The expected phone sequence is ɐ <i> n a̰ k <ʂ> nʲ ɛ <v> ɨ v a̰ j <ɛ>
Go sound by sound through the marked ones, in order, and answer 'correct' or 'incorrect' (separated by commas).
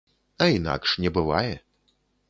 correct, correct, incorrect, correct